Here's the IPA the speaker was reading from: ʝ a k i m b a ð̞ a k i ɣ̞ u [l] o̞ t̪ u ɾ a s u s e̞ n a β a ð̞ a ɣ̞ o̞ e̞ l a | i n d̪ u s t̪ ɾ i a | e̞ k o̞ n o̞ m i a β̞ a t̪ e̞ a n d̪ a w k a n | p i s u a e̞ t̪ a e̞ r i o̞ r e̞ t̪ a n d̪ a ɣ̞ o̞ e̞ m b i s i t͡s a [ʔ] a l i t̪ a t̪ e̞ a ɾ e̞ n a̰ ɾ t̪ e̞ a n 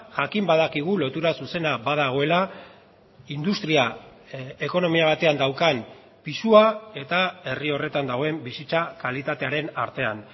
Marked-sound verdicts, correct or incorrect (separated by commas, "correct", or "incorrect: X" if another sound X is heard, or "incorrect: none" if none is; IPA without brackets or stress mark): correct, incorrect: k